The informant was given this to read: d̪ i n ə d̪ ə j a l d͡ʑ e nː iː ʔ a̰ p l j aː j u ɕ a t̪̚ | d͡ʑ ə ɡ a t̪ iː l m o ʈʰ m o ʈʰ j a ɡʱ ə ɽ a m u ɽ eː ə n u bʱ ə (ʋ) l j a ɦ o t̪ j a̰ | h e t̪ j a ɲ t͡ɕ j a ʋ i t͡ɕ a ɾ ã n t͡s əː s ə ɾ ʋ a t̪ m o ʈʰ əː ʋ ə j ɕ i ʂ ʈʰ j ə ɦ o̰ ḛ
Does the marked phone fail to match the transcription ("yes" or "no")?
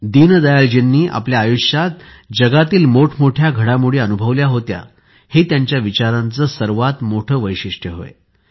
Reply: no